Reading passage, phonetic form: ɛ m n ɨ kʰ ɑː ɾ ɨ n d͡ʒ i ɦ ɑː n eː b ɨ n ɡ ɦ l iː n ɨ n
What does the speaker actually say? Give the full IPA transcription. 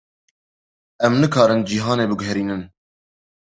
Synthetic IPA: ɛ m n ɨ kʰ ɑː ɾ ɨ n d͡ʒ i ɦ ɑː n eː b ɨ ɡ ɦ ɾ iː n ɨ n